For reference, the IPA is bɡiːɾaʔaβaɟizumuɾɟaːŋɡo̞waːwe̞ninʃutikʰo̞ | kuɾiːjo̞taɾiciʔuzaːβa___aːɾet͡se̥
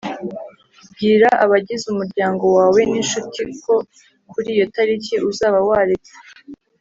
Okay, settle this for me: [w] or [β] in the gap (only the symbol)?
w